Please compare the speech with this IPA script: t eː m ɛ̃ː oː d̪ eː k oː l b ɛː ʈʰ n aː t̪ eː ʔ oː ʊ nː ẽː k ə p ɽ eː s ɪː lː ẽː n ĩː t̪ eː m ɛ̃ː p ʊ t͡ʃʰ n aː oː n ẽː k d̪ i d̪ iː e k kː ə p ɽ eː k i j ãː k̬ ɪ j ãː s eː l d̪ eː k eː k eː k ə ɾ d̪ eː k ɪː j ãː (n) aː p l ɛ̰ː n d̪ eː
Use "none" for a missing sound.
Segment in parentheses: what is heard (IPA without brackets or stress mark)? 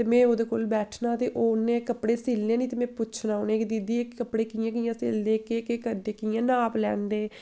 n